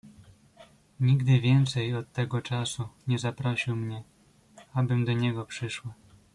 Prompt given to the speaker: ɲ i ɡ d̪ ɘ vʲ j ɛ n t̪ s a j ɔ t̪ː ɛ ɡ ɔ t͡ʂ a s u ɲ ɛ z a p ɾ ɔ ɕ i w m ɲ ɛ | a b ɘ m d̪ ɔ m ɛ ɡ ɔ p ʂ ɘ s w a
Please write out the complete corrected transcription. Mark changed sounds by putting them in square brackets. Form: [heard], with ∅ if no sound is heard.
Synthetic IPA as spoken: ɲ i ɡ d̪ ɘ vʲ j ɛ n t̪ s [ɛ] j ɔ t̪ː ɛ ɡ ɔ t͡ʂ a s u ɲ ɛ z a p ɾ ɔ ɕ i w m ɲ ɛ | a b ɘ m d̪ ɔ [ɲ] ɛ ɡ ɔ p ʂ ɘ [ʂ] w a